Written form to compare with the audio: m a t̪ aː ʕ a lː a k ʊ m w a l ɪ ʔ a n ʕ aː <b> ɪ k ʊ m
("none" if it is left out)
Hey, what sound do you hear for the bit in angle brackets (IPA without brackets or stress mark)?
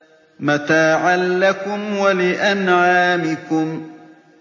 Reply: m